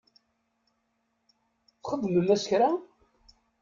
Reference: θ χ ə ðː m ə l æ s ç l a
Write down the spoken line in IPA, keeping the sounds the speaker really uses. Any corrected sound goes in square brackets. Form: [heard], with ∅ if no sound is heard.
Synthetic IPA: θ χ ə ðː m ə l æ s ç [ɾ] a